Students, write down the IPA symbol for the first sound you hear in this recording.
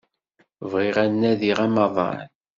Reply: v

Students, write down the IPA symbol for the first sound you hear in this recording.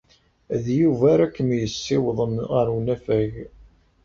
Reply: ð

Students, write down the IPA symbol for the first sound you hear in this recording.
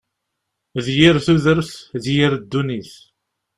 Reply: ð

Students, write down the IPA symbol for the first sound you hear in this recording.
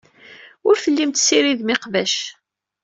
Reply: ʊ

